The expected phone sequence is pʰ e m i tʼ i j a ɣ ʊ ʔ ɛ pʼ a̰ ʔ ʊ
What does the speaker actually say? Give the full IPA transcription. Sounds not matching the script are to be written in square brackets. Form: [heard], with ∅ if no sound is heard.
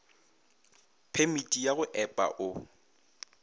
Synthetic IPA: pʰ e m i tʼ i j a ɣ ʊ ʔ ɛ pʼ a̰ ʔ ʊ